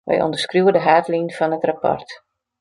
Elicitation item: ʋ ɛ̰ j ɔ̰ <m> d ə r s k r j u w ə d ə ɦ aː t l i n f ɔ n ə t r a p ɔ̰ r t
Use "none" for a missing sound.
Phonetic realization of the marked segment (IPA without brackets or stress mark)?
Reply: n